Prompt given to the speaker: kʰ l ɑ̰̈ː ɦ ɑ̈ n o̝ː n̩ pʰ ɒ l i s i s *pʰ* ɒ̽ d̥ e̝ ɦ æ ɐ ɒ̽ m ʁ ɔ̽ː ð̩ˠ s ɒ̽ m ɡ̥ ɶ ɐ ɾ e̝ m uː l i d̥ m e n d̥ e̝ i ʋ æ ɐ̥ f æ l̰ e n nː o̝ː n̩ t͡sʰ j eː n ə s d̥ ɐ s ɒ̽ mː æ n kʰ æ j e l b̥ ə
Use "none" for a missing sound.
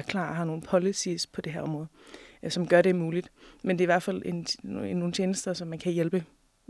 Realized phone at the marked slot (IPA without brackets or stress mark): pʰ